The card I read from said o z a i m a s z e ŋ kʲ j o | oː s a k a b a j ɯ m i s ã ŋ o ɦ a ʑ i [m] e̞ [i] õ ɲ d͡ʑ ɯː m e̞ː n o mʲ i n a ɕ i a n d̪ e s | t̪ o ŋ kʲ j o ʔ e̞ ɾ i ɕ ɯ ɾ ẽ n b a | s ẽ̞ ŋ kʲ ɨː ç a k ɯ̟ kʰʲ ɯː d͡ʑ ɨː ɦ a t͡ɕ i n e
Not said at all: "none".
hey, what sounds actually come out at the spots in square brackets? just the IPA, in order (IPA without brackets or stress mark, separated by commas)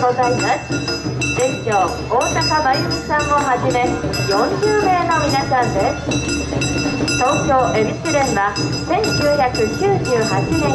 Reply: m, j